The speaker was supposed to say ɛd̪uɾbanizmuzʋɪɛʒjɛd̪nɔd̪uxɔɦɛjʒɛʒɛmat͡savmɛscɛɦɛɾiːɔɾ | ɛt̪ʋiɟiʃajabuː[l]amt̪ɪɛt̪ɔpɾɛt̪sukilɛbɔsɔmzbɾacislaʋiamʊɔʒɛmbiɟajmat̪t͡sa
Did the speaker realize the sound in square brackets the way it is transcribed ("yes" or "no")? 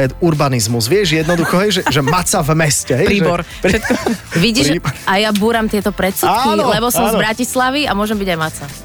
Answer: no